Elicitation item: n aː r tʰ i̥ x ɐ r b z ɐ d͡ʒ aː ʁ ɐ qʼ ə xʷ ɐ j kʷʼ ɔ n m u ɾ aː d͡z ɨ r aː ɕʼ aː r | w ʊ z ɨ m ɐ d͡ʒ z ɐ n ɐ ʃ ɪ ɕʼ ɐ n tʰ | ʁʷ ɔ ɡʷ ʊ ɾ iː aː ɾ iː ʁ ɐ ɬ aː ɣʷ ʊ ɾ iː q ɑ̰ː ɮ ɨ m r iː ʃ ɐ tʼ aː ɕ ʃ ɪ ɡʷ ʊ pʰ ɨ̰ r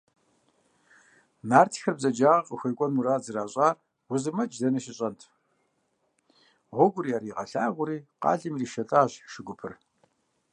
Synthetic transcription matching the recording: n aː r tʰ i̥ x ɐ r b z ɐ d͡ʒ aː ʁ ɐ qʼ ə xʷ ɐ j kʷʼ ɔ n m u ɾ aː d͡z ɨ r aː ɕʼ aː r | w ʊ z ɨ m ɐ d͡ʒ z ɐ n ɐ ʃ ɪ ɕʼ ɐ n tʰ | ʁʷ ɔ ɡʷ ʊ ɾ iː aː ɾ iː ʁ ɐ ɬ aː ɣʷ ʊ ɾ iː q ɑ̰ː ɮ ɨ m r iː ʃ ɐ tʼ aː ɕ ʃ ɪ ɡʷ ʊ pʰ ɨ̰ r